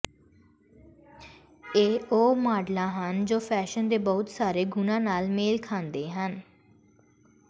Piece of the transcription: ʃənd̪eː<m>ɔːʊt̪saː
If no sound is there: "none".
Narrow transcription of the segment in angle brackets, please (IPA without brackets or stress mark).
b